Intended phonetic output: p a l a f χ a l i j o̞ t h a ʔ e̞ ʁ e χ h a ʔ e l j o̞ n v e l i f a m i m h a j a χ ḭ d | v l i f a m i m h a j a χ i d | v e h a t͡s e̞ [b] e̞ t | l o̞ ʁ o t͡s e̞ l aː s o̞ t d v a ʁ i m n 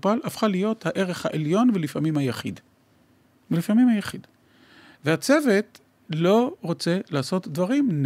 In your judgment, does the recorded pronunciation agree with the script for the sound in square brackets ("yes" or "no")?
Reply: no